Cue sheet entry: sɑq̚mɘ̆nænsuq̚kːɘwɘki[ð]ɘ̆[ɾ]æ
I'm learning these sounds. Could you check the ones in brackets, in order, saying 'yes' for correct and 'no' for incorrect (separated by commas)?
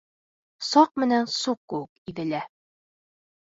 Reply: yes, no